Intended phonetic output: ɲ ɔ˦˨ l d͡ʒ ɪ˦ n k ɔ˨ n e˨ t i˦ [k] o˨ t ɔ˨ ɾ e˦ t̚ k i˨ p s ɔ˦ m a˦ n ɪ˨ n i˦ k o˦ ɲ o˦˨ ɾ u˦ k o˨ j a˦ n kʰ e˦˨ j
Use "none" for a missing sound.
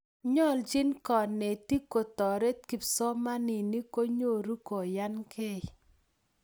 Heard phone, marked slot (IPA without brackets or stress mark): k